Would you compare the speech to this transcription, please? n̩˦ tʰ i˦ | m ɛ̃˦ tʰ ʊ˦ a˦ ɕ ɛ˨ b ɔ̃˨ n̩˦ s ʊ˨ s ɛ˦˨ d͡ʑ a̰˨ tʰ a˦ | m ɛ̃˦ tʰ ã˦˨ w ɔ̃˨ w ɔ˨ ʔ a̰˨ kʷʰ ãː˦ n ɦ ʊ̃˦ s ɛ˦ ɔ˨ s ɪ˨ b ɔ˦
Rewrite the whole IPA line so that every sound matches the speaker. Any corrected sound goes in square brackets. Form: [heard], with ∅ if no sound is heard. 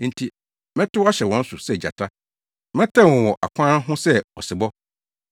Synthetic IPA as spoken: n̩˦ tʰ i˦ | m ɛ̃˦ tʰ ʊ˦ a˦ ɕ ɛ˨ [w] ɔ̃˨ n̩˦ s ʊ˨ s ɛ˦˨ d͡ʑ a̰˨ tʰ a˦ | m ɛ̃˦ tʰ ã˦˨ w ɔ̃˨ w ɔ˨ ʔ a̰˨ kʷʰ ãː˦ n ɦ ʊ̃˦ s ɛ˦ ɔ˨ s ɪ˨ b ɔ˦